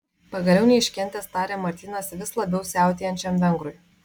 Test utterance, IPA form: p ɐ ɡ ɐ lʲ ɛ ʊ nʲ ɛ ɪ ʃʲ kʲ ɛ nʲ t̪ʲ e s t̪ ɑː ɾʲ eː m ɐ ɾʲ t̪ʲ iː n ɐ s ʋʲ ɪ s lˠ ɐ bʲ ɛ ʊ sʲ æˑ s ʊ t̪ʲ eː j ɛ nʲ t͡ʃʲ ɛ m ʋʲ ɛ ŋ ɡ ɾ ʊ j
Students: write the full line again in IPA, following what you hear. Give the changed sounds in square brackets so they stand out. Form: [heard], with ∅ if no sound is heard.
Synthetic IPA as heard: p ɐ ɡ ɐ lʲ ɛ ʊ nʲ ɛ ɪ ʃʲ kʲ ɛ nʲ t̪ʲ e s t̪ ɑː ɾʲ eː m ɐ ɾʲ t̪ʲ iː n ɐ s ʋʲ ɪ s lˠ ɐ bʲ ɛ ʊ sʲ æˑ [∅] ʊ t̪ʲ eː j ɛ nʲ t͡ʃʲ ɛ m ʋʲ ɛ ŋ ɡ ɾ ʊ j

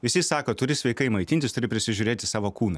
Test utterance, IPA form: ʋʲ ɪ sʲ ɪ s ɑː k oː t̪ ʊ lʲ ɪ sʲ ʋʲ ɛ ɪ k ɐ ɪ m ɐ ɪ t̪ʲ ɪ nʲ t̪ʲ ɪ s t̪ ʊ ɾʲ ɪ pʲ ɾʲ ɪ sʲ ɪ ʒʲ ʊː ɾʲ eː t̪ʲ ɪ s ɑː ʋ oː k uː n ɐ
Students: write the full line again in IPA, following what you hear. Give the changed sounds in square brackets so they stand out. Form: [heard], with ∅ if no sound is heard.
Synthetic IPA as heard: ʋʲ ɪ sʲ ɪ s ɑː k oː t̪ ʊ [ɾʲ] ɪ sʲ ʋʲ ɛ ɪ k ɐ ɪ m ɐ ɪ t̪ʲ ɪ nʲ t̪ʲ ɪ s t̪ ʊ ɾʲ ɪ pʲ ɾʲ ɪ sʲ ɪ ʒʲ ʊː ɾʲ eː t̪ʲ ɪ s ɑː ʋ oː k uː n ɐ

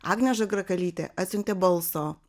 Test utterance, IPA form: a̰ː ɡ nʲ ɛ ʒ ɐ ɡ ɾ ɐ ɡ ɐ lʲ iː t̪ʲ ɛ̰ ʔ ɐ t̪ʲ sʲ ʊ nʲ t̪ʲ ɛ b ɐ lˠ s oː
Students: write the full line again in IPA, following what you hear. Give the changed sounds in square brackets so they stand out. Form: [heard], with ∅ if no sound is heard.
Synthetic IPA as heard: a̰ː ɡ nʲ ɛ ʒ ɐ ɡ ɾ ɐ [k] ɐ lʲ iː t̪ʲ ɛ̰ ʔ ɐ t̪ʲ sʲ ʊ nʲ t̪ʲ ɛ b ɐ lˠ s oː

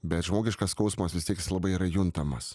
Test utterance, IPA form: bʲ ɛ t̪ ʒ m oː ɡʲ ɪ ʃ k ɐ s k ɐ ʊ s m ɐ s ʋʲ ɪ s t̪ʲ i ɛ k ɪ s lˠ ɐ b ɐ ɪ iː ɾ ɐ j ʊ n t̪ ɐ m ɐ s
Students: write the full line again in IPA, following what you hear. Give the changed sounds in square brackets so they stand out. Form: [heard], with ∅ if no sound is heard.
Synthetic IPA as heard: bʲ ɛ t̪ ʒ m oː ɡʲ ɪ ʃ k ɐ s k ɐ ʊ s m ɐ s ʋʲ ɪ s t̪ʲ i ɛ k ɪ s lˠ ɐ b ɐ ɪ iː ɾ ɐ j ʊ n t̪ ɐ m ɐ s

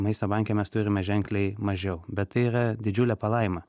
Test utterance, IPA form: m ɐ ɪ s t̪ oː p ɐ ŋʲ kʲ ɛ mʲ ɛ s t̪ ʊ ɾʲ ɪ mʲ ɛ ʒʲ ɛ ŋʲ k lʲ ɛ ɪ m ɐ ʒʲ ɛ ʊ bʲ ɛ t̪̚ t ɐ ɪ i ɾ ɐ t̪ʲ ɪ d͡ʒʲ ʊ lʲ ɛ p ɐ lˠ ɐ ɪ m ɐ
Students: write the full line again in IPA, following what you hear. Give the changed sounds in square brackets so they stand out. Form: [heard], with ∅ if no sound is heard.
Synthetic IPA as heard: m ɐ ɪ s t̪ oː [b] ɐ ŋʲ kʲ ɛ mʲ ɛ s t̪ ʊ ɾʲ ɪ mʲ ɛ ʒʲ ɛ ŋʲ k lʲ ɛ ɪ m ɐ ʒʲ ɛ ʊ bʲ ɛ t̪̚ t ɐ ɪ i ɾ ɐ [d̪ʲ] ɪ d͡ʒʲ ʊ lʲ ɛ p ɐ lˠ ɐ ɪ m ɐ

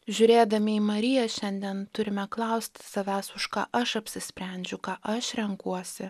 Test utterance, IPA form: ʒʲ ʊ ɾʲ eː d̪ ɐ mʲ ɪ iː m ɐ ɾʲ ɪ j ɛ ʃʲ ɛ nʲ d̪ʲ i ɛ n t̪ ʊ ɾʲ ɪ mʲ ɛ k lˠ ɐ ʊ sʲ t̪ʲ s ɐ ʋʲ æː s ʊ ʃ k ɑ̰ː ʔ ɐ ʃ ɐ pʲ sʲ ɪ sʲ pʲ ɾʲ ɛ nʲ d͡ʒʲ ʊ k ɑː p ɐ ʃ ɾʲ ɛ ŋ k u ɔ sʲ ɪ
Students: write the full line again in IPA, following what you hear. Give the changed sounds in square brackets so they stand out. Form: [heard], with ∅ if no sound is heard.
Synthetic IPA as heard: ʒʲ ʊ ɾʲ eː d̪ ɐ mʲ ɪ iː m ɐ ɾʲ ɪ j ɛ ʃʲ ɛ nʲ d̪ʲ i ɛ n t̪ ʊ ɾʲ ɪ mʲ ɛ k lˠ ɐ ʊ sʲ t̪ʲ s ɐ ʋʲ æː s ʊ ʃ k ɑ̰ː ʔ ɐ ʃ ɐ pʲ sʲ ɪ sʲ pʲ ɾʲ ɛ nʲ d͡ʒʲ ʊ k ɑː [ʔ] ɐ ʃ ɾʲ ɛ ŋ k u ɔ sʲ ɪ

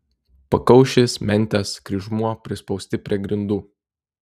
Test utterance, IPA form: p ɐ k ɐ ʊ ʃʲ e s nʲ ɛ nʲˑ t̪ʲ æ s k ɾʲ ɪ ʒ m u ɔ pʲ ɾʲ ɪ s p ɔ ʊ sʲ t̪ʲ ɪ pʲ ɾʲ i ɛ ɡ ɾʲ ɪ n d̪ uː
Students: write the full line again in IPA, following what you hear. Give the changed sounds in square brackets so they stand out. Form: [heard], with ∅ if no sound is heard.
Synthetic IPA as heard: p ɐ k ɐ ʊ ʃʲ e s [mʲ] ɛ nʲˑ t̪ʲ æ s k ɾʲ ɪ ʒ m u ɔ pʲ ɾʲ ɪ s p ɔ ʊ sʲ t̪ʲ ɪ pʲ ɾʲ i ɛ ɡ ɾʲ ɪ n d̪ uː

